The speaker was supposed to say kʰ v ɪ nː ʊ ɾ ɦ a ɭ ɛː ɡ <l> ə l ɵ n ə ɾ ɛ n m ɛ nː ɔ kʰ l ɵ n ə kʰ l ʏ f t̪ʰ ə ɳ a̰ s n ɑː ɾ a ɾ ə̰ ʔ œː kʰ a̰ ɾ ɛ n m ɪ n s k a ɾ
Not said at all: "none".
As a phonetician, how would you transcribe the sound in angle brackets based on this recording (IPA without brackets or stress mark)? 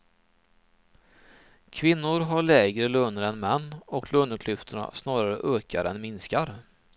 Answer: ɾ